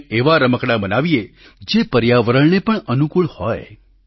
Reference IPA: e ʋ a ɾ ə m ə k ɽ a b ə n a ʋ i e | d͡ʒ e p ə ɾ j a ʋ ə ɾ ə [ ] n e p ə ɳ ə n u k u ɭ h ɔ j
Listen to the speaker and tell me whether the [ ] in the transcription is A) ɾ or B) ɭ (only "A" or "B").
B